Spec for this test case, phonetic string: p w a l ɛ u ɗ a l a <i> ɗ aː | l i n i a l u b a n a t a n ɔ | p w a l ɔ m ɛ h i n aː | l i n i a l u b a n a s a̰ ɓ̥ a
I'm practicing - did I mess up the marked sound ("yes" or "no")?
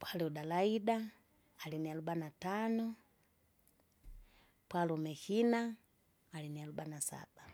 no